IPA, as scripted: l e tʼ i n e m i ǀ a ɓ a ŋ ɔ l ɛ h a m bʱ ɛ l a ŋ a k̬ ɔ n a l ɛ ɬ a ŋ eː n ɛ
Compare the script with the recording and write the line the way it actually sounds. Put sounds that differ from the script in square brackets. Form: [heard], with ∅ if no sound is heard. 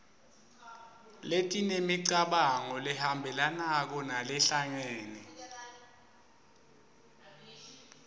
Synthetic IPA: l e tʼ i n e m i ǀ a ɓ a ŋ ɔ l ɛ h a m bʱ ɛ l a [n] a k̬ ɔ n a l ɛ ɬ a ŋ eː n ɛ